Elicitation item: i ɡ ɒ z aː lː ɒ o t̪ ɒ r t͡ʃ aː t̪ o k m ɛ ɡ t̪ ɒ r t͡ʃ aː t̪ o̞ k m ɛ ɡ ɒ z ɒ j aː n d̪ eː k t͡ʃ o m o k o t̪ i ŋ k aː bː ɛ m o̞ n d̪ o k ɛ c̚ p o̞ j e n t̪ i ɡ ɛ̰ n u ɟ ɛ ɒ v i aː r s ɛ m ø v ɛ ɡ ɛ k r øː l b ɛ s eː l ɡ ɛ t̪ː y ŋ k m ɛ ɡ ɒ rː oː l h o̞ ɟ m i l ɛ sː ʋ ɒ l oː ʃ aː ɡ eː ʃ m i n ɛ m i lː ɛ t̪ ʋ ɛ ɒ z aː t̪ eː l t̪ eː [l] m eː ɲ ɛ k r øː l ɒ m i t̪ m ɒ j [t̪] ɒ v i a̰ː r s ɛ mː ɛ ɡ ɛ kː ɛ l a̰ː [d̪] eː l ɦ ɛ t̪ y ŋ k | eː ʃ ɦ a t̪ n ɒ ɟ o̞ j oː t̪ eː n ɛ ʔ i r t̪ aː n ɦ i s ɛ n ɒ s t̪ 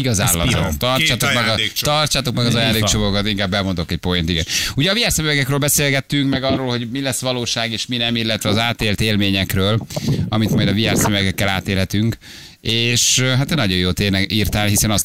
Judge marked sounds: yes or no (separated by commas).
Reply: yes, no, no